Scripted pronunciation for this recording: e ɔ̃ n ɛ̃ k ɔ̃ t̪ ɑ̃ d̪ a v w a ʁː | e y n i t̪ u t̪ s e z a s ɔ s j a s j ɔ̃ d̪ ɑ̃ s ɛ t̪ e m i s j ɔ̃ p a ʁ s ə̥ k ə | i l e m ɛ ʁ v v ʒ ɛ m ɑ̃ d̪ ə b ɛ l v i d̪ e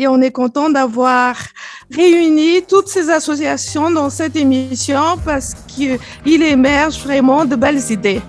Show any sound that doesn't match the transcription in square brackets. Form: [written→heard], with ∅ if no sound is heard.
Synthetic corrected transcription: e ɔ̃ n [ɛ̃→ɛ] k ɔ̃ t̪ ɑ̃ d̪ a v w a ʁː | e y n i t̪ u t̪ s e z a s ɔ s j a s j ɔ̃ d̪ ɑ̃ s ɛ t̪ e m i s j ɔ̃ p a ʁ s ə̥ k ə | i l e m ɛ ʁ [v→ʒ] v [ʒ→ʁ] ɛ m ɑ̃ d̪ ə b ɛ l [v→z] i d̪ e